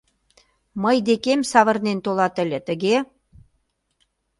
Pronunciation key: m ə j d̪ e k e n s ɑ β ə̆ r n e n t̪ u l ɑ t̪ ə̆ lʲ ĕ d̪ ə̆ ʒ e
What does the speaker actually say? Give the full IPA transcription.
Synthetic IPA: m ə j d̪ e k e m s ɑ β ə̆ r n e n t̪ o l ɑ t̪ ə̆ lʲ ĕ t̪ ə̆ ɣ e